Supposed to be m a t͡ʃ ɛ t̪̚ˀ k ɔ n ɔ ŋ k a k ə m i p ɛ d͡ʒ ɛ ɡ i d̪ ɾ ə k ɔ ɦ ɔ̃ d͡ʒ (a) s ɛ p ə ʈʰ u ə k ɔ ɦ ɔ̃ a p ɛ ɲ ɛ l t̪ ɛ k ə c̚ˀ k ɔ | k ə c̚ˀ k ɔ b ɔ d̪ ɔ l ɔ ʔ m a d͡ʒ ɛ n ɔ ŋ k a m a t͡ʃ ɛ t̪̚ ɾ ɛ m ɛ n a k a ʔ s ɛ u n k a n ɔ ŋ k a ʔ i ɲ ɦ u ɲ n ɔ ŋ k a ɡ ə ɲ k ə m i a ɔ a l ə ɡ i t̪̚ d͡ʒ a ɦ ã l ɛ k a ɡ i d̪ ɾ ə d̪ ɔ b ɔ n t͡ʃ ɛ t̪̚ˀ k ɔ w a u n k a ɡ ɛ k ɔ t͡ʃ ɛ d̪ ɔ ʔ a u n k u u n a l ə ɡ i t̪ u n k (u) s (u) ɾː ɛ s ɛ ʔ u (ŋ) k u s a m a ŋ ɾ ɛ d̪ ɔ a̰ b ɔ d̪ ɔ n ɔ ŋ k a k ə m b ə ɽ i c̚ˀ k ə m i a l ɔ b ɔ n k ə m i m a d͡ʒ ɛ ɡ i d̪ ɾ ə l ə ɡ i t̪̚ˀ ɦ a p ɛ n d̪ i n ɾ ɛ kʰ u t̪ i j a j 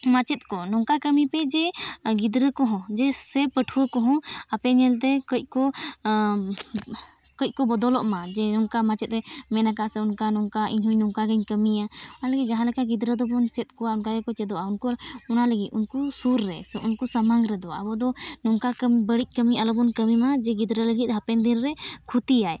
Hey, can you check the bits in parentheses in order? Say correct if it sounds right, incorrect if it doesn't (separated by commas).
incorrect, correct, correct, incorrect